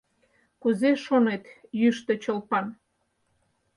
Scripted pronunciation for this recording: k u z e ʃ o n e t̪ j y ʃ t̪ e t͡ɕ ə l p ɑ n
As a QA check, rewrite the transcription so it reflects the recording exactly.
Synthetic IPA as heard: k u z e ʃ o n e t̪ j y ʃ t̪ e t͡ɕ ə l p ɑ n